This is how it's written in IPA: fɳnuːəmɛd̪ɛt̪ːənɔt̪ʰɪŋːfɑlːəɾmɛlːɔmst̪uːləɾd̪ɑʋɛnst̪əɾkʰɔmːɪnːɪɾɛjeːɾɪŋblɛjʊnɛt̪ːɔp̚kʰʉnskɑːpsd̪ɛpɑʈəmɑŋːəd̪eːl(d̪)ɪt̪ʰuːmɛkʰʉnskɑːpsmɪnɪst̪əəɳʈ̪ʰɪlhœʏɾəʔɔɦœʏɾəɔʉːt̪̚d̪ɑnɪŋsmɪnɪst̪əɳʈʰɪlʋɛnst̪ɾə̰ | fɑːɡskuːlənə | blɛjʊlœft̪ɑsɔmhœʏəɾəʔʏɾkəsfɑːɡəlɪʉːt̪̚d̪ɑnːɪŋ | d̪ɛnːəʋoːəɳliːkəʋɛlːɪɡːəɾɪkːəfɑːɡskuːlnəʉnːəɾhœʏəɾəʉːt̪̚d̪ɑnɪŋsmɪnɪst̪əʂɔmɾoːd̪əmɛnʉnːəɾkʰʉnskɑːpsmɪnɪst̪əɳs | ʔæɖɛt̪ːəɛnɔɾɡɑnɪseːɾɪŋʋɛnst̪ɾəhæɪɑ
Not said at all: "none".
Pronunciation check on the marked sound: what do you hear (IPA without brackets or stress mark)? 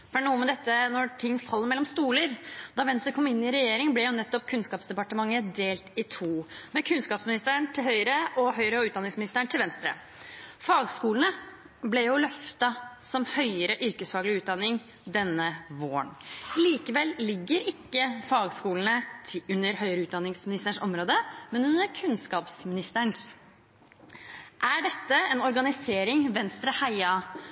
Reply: t̪